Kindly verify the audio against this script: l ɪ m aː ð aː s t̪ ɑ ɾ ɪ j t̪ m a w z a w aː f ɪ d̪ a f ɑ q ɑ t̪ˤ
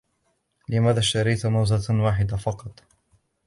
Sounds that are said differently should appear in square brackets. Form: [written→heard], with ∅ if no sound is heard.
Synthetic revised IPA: l ɪ m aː ð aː [s→ʃ] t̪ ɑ ɾ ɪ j t̪ m a w z a w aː [f→ħ] ɪ d̪ a f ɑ q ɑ t̪ˤ